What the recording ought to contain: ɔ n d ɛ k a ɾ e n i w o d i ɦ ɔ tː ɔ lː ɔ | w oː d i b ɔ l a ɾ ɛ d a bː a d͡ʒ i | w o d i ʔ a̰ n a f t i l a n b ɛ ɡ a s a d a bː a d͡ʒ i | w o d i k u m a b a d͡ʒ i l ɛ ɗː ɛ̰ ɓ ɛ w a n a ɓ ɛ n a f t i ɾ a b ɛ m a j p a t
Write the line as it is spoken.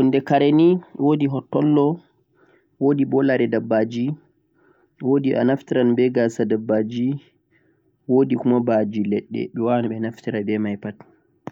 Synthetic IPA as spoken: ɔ n d ɛ k a ɾ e n i w o d i ɦ ɔ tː ɔ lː ɔ | w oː d i b ɔ l a ɾ ɛ d a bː a d͡ʒ i | w o d i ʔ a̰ n a f t i ɾ a n b ɛ ɡ a s a d a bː a d͡ʒ i | w o d i k u m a b a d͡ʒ i l ɛ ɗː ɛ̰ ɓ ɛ w a n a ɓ ɛ n a f t i ɾ a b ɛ m a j p a t